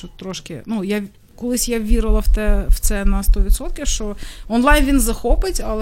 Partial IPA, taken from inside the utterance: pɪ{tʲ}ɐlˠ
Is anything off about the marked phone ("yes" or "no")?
no